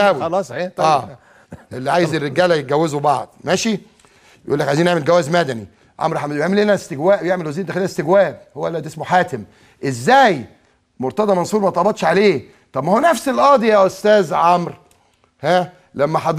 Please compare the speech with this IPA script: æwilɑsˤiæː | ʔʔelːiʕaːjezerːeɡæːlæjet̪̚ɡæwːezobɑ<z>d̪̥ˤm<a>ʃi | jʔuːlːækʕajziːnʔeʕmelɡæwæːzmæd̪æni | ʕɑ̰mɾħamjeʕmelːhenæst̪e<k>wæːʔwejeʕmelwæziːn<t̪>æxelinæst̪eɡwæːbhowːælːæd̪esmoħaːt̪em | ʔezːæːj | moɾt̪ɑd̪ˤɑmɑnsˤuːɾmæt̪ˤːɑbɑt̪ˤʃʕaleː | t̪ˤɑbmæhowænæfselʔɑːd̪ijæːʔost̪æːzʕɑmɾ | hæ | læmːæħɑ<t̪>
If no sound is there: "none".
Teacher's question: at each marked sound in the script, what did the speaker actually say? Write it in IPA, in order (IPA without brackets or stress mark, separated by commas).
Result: ʕ, æ, ɡ, d̪, d̪